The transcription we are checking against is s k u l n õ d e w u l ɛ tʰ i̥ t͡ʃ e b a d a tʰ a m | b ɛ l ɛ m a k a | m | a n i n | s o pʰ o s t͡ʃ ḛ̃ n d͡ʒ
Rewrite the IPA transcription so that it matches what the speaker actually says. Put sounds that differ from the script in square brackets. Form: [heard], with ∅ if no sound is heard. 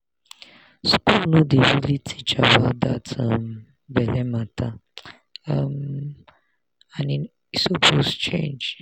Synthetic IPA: s k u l n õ d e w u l [i] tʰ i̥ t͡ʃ [a] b a d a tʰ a m | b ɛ l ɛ m a [t] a | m | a n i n | s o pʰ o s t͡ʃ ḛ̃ n d͡ʒ